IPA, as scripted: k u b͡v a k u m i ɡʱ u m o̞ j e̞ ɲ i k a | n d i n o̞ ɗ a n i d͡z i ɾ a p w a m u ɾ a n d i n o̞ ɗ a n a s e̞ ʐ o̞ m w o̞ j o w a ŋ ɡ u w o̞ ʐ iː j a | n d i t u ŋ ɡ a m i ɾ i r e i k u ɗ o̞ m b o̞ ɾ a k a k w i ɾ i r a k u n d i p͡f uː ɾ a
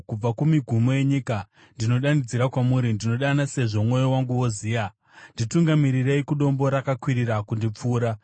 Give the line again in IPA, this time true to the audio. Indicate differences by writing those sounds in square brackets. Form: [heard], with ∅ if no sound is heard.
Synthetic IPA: k u b͡v a k u m i ɡʱ u m o̞ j e̞ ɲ i k a | n d i n o̞ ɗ a n i d͡z i ɾ a [k] w a m u ɾ [i] n d i n o̞ ɗ a n a s e̞ ʐ o̞ m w o̞ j o w a ŋ ɡ u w o̞ [z] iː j a | n d i t u ŋ ɡ a m i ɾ i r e i k u ɗ o̞ m b o̞ ɾ a k a k w i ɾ i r a k u n d i p͡f uː ɾ a